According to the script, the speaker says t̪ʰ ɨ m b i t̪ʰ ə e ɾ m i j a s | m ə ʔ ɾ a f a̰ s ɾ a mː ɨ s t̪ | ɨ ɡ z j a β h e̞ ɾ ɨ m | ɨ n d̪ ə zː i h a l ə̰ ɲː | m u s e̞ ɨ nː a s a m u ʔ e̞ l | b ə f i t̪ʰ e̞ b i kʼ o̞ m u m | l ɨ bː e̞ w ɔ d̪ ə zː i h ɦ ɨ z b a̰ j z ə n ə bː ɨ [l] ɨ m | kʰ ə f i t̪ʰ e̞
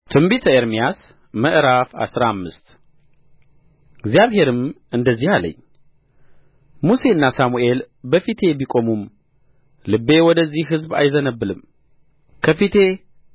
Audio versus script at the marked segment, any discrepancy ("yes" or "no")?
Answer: no